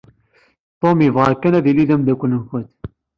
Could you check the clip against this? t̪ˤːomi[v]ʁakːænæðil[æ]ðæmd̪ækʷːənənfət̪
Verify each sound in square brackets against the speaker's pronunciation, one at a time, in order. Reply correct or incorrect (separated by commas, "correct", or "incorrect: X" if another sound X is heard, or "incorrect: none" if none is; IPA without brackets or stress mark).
correct, incorrect: i